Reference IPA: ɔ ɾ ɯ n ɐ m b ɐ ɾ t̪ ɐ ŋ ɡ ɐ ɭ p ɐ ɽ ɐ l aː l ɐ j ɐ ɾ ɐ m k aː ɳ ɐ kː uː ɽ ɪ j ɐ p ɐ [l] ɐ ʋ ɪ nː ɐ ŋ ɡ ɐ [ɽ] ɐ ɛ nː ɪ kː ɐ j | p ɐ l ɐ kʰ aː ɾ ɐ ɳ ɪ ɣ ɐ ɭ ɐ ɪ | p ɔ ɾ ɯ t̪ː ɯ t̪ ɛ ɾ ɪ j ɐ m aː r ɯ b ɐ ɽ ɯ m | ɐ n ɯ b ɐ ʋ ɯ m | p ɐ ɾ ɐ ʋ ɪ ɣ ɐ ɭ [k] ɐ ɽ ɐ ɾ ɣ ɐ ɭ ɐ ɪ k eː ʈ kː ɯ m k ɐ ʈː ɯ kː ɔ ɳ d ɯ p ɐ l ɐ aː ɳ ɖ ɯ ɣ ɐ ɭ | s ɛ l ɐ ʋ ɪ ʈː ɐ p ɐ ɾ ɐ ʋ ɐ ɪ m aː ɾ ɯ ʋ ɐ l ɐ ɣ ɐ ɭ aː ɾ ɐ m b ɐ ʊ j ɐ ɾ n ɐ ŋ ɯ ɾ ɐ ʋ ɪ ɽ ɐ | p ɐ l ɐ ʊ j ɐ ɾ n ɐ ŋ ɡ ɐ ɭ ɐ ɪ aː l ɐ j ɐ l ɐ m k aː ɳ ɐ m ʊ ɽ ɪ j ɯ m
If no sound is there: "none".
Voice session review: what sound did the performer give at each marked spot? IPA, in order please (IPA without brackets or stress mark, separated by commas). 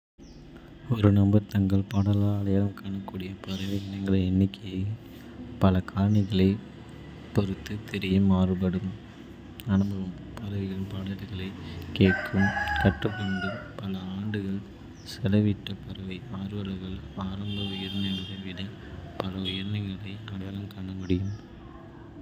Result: ɾ, ɭ, p